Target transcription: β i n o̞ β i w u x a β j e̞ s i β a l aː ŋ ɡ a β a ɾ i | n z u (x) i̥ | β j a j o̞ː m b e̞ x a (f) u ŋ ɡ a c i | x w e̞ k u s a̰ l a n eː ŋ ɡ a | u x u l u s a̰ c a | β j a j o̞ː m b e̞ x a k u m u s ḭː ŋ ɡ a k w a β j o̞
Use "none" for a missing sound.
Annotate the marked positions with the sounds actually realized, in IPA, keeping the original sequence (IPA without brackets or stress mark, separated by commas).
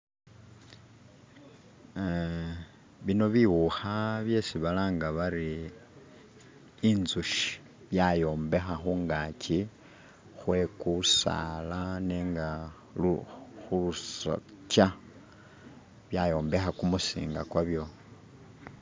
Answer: ʃ, x